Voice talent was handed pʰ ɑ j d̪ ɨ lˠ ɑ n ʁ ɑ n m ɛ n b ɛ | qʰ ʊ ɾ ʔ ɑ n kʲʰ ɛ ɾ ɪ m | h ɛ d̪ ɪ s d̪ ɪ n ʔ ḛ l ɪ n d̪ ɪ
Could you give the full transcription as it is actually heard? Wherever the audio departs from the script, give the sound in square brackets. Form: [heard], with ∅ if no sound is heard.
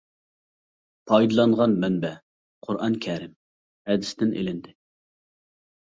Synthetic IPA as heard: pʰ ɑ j d̪ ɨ lˠ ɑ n ʁ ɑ n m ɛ n b ɛ | qʰ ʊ ɾ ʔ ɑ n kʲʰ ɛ ɾ ɪ m | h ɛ d̪ ɪ s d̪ ɪ n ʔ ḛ l ɪ n d̪ ɪ